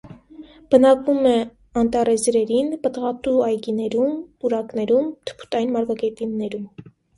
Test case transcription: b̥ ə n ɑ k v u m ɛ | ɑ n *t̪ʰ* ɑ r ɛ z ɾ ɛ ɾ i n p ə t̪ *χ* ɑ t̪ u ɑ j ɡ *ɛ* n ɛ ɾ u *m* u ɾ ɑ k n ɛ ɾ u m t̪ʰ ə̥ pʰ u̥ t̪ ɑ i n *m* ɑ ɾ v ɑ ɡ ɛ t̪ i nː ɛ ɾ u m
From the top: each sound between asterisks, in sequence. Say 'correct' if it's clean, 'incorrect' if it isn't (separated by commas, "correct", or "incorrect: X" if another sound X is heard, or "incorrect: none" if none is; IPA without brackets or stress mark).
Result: incorrect: t̪, incorrect: ʁ, incorrect: i, correct, correct